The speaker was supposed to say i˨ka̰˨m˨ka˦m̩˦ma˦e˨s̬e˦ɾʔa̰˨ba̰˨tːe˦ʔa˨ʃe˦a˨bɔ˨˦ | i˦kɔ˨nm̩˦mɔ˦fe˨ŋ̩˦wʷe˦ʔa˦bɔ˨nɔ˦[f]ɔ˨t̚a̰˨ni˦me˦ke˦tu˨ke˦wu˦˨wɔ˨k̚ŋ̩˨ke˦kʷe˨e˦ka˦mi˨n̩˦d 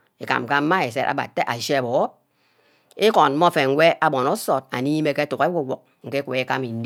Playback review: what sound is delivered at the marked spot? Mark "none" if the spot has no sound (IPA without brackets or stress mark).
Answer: s